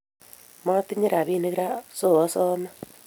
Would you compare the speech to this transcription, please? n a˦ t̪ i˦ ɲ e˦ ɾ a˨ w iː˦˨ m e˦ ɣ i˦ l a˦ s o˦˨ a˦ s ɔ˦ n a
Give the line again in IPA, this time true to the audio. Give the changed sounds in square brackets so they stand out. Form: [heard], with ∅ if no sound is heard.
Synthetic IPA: [m] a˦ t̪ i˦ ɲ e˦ ɾ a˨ [β] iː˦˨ [n] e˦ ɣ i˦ [ɾ] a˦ s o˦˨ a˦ s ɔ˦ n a